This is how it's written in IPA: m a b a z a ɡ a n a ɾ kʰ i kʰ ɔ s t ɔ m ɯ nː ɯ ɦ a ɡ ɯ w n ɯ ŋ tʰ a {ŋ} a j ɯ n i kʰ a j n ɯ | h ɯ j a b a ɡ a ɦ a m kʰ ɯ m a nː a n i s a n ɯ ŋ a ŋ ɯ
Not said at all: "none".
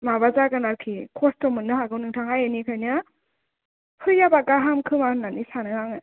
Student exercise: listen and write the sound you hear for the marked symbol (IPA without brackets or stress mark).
ŋ